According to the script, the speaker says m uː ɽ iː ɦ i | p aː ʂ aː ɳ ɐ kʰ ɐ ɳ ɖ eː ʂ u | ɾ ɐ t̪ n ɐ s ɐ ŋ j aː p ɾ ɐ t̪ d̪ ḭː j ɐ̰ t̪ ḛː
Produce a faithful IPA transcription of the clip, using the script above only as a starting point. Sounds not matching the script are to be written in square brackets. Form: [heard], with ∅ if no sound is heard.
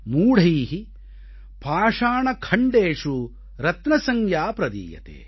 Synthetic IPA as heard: m uː ɽ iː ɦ i | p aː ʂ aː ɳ ɐ kʰ ɐ ɳ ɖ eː ʂ u | ɾ ɐ t̪ n ɐ s ɐ ŋ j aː p ɾ ɐ [∅] d̪ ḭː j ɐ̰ t̪ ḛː